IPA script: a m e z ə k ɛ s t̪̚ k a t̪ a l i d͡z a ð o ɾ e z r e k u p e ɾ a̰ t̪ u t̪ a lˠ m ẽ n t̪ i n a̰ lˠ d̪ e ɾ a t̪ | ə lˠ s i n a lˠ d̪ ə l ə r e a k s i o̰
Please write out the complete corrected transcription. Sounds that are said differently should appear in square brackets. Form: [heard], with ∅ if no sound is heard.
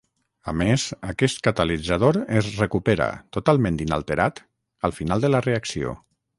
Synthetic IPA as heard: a m e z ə k ɛ s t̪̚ k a t̪ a l i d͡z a ð o ɾ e z r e k u p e ɾ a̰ t̪ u t̪ a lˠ m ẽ n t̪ i n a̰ lˠ [t̪] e ɾ a t̪ | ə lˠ [f] i n a lˠ d̪ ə l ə r e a k s i o̰

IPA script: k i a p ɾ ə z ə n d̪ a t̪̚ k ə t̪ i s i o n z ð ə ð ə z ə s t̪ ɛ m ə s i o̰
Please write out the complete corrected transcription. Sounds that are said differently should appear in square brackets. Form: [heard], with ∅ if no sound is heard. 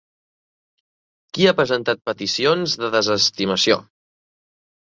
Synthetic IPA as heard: k i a p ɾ ə z ə n [t̪] a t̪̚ [p] ə t̪ i s i o n z ð ə ð ə z ə s t̪ [i] m ə s i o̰

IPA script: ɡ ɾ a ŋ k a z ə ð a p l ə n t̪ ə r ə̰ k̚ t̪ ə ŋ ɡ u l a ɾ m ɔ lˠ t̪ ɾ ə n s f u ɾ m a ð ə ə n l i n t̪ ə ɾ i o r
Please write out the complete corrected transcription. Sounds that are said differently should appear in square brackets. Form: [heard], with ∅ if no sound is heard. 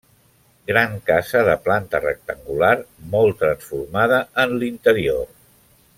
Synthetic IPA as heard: ɡ ɾ a ŋ k a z ə ð [ə] p l [a] n t̪ ə r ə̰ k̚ t̪ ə ŋ ɡ u l a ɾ m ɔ lˠ t̪ ɾ ə n s f u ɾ m a ð ə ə n l i n t̪ ə ɾ i o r

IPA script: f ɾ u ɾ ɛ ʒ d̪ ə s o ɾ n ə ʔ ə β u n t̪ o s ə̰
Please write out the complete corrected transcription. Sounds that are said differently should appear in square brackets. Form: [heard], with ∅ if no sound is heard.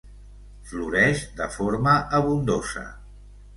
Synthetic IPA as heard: f [l] u ɾ ɛ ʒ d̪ ə [f] o ɾ [m] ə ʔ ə β u n [d̪] o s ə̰

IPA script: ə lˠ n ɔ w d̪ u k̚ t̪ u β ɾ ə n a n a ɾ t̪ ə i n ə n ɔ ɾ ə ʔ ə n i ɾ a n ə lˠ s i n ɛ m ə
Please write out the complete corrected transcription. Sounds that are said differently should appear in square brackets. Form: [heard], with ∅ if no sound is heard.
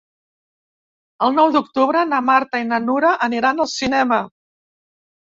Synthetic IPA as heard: ə lˠ n ɔ w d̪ u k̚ t̪ u β ɾ ə n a [m] a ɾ t̪ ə i n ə n [u] ɾ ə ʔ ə n i ɾ a n ə lˠ s i n ɛ m ə

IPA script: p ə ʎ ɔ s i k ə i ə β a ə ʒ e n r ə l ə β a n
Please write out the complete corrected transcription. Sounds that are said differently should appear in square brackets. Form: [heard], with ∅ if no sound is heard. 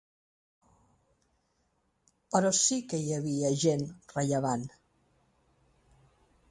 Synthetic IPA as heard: p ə [ɾ] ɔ s i k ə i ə β [i] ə ʒ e n r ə [ʎ] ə β a n

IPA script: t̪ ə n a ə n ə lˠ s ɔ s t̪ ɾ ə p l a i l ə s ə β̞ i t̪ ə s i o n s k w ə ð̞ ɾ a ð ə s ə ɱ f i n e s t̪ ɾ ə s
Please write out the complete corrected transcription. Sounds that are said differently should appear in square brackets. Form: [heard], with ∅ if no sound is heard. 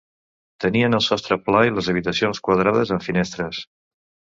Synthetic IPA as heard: t̪ ə n [i] ə n ə lˠ s ɔ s t̪ ɾ ə p l a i l ə [z] ə β̞ i t̪ ə s i o n s k w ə ð̞ ɾ a ð ə [z] ə ɱ f i n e s t̪ ɾ ə s

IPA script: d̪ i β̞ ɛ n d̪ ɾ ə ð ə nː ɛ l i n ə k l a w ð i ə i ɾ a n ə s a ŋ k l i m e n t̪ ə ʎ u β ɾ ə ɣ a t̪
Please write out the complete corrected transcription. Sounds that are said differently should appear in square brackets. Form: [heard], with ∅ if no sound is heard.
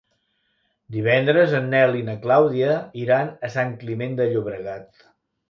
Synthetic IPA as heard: d̪ i β̞ ɛ n d̪ ɾ ə [z] ə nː ɛ l i n ə k l a w ð i ə i ɾ a n ə s a ŋ k l i m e n [d̪] ə ʎ u β ɾ ə ɣ a t̪

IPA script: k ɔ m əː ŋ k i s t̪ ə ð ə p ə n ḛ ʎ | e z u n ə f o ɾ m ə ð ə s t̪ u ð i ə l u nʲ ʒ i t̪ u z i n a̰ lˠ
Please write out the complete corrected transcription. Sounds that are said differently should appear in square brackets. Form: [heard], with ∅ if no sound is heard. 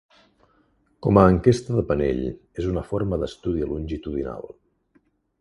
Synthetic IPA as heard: k ɔ m əː ŋ k [e] s t̪ ə ð ə p ə n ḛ ʎ | e z u n ə f o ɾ m ə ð ə s t̪ u ð i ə l u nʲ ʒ i t̪ u [ð] i n a̰ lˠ

